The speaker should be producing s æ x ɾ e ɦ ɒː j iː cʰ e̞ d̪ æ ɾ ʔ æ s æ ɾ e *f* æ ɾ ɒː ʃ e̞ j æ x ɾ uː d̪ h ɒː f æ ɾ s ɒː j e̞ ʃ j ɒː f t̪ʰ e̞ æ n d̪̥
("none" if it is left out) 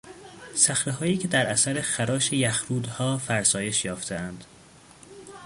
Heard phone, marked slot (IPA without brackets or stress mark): x